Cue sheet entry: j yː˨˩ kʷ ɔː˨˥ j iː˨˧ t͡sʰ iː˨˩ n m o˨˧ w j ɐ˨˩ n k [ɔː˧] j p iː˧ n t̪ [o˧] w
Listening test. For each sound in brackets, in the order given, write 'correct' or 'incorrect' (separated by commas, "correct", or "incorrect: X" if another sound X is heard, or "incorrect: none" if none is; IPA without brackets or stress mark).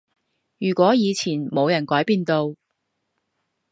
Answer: incorrect: ɔː˨˥, correct